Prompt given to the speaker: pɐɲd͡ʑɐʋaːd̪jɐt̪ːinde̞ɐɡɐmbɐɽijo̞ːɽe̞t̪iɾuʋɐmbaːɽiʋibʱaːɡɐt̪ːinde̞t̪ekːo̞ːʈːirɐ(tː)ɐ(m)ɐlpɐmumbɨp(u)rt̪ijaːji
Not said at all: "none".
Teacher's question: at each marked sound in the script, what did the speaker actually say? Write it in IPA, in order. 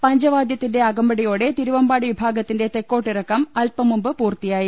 kː, m, uː

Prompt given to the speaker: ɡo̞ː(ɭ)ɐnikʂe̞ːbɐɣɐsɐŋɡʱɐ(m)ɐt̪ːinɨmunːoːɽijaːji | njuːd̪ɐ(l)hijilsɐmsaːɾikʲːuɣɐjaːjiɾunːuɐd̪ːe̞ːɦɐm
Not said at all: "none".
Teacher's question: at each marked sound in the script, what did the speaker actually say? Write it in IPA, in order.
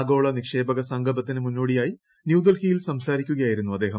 ɭ, b, l

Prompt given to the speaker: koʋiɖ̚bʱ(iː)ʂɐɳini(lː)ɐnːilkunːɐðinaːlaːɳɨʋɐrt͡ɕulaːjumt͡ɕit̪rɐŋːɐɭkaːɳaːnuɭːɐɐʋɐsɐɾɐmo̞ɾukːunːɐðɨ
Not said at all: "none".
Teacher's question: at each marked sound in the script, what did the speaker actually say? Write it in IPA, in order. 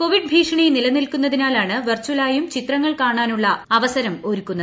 iː, l

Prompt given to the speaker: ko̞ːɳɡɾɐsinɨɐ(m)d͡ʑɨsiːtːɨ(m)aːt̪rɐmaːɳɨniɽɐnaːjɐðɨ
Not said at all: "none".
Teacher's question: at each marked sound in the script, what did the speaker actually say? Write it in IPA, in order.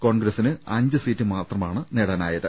ɲ, m

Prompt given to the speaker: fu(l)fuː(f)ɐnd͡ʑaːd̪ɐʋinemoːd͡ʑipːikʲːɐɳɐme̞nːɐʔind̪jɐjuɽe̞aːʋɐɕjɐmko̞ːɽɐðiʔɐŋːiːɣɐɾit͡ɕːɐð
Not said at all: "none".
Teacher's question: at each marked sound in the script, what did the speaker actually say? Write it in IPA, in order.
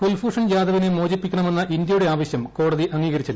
l, ʂ

